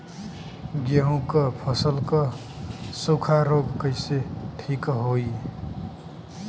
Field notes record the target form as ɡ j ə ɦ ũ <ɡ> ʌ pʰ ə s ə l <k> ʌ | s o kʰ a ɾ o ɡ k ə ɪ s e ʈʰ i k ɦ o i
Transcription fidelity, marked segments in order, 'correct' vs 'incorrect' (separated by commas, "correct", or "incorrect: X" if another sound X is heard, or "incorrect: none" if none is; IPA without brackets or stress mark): incorrect: k, correct